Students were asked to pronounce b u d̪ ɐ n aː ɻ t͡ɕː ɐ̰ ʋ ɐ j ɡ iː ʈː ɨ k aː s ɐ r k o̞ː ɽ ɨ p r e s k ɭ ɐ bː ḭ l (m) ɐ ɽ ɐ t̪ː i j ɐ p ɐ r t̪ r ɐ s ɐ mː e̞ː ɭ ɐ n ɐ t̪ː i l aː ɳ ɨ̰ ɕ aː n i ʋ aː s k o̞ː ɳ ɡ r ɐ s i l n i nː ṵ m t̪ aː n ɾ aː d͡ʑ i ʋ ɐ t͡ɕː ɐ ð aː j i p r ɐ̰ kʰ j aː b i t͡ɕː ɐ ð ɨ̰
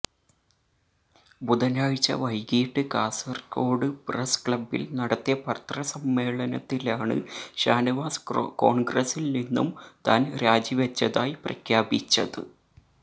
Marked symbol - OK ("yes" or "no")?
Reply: no